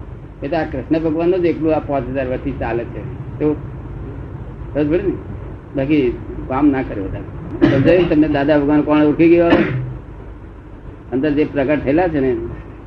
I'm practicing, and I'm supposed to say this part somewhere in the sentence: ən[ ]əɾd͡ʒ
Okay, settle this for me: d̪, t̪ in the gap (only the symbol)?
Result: d̪